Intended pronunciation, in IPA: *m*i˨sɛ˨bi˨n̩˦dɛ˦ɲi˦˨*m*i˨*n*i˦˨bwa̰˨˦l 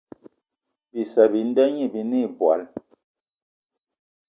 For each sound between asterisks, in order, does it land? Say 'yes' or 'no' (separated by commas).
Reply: no, no, yes